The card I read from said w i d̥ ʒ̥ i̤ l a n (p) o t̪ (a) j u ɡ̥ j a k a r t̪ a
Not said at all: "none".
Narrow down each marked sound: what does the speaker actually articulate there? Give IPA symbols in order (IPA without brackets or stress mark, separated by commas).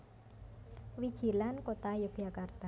k, a